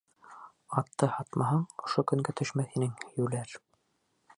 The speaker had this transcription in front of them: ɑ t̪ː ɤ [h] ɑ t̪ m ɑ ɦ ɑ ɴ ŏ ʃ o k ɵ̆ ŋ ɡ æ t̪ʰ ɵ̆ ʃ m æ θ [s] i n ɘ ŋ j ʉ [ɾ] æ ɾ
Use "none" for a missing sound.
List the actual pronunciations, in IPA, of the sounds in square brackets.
h, h, l

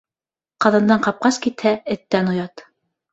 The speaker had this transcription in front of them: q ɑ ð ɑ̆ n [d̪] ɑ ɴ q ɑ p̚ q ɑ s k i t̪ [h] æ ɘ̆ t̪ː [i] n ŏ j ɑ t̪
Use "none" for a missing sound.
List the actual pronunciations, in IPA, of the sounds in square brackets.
d̪, h, æ

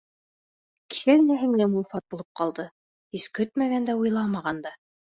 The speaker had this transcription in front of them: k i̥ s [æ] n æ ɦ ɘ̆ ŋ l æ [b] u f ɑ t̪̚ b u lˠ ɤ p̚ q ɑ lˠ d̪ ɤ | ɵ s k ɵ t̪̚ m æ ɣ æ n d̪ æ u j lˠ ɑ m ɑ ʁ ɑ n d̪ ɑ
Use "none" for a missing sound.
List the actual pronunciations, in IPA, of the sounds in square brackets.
æ, m

